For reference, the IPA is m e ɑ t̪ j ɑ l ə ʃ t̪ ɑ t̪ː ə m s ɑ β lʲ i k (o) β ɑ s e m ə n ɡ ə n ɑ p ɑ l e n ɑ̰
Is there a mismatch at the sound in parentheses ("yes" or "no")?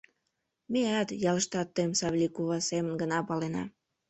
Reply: yes